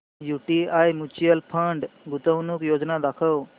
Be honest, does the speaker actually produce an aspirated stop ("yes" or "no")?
yes